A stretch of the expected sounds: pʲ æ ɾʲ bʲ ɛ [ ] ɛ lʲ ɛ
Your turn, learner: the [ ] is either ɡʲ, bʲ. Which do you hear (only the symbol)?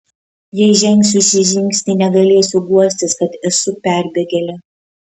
ɡʲ